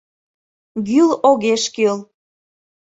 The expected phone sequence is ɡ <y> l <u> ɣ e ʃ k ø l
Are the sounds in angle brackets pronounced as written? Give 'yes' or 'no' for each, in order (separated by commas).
yes, no